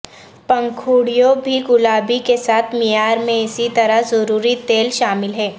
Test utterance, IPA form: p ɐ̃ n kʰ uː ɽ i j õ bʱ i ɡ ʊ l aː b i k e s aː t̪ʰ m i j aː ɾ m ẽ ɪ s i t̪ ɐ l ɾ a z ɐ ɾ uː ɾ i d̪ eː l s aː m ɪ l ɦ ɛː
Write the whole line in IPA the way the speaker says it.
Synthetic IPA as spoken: p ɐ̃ ŋ kʰ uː ɽ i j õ bʱ i ɡ ʊ l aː b i k e s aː t̪ʰ m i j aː ɾ m ẽ ɪ s i t̪ ɐ ɾ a z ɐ ɾ uː ɾ i t̪ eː l ʃ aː m ɪ l ɦ ɛː